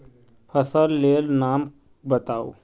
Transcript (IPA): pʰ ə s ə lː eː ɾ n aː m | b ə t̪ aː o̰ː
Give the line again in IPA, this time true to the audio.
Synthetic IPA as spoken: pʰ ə s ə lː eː l n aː m | b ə t̪ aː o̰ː